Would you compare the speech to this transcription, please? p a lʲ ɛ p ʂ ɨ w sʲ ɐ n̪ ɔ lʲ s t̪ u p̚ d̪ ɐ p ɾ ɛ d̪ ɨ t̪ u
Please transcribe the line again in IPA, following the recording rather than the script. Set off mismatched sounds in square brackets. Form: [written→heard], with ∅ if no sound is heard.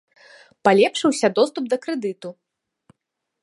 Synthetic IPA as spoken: p a lʲ ɛ p ʂ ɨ w sʲ ɐ [n̪→d̪] ɔ [lʲ→∅] s t̪ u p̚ d̪ ɐ [p→k] ɾ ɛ d̪ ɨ t̪ u